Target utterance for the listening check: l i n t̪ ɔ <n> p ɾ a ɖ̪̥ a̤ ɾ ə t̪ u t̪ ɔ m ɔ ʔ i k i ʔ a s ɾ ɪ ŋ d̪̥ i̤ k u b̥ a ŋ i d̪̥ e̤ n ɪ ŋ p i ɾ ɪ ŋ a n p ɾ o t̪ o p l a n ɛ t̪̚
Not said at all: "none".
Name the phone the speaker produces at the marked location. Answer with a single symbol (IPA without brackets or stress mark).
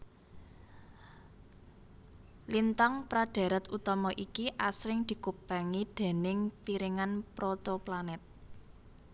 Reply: ŋ